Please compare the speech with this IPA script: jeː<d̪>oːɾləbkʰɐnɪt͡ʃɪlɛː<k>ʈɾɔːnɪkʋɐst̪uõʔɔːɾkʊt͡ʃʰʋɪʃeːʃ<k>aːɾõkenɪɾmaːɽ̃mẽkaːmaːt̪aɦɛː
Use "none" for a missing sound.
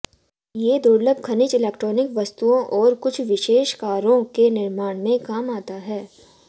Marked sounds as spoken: d̪, k, k

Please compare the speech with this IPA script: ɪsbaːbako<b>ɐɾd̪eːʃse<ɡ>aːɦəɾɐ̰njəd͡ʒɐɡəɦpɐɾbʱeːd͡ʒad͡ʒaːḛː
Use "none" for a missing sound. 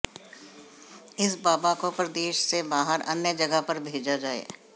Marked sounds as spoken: p, b

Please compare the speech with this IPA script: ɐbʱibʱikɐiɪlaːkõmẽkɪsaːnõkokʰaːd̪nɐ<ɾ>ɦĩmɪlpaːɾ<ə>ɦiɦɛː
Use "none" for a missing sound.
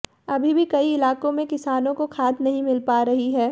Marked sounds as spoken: none, ɐ

